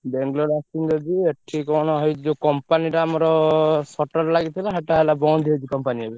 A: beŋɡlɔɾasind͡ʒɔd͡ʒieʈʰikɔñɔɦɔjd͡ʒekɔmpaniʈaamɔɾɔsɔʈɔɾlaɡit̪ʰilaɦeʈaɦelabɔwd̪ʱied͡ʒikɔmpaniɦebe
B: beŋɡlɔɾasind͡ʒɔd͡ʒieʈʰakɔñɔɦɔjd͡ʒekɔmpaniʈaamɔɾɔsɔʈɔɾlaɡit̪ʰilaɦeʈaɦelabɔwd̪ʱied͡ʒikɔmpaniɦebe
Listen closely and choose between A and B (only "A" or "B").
A